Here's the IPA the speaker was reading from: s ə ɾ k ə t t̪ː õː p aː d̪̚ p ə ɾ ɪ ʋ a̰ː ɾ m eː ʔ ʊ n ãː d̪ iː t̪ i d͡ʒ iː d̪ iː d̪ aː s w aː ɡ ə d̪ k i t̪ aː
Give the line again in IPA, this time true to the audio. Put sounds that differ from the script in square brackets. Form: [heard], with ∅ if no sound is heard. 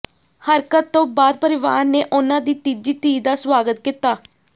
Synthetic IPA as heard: [h] ə ɾ k ə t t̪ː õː [b] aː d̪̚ p ə ɾ ɪ ʋ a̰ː ɾ [n] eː ʔ ʊ n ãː d̪ iː t̪ i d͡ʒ iː [t̪] iː d̪ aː s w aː ɡ ə [t̪] k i t̪ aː